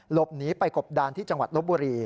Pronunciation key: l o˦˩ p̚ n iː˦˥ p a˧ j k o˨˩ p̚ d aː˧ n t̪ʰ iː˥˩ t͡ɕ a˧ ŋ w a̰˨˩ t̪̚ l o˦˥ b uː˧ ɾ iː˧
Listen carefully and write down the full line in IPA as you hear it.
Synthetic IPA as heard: l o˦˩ p̚ n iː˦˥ p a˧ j k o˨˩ p̚ d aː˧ n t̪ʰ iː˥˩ t͡ɕ a˧ ŋ w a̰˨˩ t̪̚ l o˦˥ b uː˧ ɾ iː˧